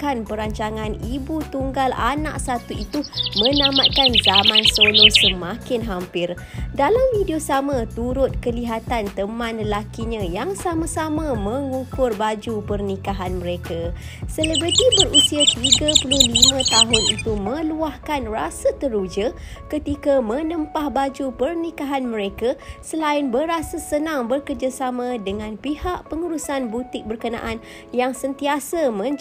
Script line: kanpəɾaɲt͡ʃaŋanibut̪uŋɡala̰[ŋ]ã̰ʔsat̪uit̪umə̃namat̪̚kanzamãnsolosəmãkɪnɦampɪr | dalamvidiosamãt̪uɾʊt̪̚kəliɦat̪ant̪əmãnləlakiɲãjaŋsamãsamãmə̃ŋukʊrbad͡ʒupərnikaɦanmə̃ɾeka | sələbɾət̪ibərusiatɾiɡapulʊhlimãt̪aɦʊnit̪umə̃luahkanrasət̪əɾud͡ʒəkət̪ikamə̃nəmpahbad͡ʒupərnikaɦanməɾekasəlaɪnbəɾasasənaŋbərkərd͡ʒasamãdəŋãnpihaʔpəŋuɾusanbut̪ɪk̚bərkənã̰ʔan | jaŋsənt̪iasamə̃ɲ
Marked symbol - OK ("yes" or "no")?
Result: no